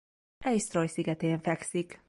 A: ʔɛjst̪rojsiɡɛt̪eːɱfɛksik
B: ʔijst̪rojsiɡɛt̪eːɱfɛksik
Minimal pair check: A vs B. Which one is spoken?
A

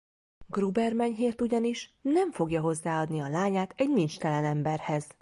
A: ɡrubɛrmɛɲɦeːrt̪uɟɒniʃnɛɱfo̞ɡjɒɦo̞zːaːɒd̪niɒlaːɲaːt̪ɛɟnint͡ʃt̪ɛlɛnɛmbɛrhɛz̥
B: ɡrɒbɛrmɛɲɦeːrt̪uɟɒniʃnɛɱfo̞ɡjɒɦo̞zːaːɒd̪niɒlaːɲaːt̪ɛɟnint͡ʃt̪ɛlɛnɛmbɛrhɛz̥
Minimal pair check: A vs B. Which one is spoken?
A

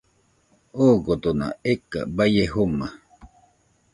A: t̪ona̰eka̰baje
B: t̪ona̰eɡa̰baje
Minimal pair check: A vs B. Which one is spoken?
A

